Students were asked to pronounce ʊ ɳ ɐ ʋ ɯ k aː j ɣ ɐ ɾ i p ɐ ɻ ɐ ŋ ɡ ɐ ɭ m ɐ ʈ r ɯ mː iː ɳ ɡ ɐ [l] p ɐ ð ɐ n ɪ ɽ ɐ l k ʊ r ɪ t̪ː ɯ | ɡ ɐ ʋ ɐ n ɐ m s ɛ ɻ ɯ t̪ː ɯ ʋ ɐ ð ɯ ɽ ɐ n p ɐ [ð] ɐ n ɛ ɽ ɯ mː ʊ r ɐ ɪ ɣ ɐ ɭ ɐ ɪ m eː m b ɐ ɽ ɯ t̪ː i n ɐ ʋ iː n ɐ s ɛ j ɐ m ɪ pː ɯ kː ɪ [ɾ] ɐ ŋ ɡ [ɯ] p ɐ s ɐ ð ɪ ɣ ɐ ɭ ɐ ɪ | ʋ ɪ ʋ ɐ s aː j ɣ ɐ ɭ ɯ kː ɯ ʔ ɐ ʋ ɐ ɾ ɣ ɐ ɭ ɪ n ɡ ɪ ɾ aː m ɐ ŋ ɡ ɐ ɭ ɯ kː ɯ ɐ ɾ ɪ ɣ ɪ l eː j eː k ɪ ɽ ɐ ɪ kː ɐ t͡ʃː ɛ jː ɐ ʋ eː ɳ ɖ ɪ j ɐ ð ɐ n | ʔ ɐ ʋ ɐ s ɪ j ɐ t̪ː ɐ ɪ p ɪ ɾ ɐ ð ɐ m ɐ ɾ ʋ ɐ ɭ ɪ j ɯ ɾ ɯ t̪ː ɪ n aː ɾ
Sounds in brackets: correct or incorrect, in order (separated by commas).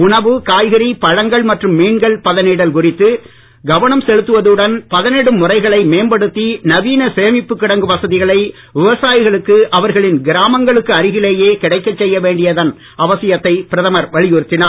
incorrect, correct, incorrect, correct